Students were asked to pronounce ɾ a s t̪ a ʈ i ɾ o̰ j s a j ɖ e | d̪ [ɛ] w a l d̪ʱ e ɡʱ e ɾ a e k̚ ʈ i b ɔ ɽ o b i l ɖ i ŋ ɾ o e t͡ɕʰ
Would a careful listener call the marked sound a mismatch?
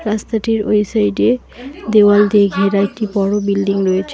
yes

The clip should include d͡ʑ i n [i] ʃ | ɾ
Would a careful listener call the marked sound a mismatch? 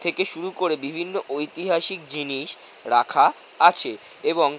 no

